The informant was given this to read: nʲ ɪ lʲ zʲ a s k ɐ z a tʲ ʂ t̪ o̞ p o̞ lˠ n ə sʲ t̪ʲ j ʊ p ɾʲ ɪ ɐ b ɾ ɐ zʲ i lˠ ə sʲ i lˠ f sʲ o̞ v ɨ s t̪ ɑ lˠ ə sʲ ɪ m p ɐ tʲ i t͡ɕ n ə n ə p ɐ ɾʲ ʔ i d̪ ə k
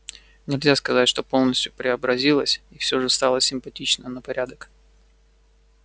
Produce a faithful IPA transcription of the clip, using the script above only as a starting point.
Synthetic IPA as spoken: nʲ ɪ lʲ zʲ a s k ɐ z a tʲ ʂ t̪ o̞ p o̞ lˠ n ə sʲ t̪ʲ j ʊ p ɾʲ ɪ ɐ b ɾ ɐ zʲ i lˠ ə sʲ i f sʲ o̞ ʐ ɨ s t̪ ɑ lˠ ə sʲ ɪ m p ɐ tʲ i t͡ɕ n ə n ə p ɐ ɾʲ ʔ a d̪ ə k